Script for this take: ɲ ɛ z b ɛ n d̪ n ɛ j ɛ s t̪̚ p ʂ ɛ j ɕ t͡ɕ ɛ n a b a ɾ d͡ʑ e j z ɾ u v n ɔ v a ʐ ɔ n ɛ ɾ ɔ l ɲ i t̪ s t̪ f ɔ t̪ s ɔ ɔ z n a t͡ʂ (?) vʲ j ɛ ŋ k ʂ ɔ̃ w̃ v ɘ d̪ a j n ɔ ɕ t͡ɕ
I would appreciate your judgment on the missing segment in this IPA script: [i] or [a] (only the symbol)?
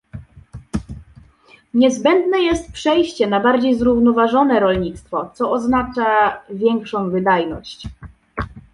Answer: a